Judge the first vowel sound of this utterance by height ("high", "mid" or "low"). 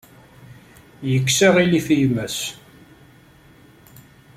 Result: mid